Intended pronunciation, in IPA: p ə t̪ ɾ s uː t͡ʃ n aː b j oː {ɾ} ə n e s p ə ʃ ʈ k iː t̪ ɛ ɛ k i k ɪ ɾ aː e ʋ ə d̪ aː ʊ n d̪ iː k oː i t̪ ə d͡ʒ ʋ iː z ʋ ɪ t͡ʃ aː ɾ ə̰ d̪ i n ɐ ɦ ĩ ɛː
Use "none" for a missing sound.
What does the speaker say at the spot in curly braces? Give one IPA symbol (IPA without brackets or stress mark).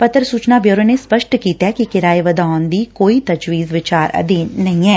ɾ